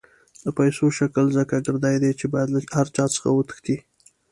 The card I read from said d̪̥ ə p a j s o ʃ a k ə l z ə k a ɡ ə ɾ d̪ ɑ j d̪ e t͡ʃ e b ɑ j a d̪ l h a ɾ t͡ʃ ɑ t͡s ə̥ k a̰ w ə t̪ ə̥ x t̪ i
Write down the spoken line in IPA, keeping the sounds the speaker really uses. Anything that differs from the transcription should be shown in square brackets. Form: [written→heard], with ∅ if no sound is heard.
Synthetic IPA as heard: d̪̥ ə p a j s o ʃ a k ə l z ə k a ɡ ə ɾ d̪ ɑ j d̪ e t͡ʃ e b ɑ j a d̪ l h a ɾ t͡ʃ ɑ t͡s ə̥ [k→x] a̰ w ə t̪ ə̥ x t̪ i